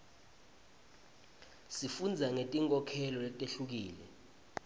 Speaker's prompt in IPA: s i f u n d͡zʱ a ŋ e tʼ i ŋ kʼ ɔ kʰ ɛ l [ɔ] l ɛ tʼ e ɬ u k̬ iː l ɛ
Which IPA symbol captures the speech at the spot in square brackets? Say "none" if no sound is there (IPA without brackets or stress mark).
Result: ɔ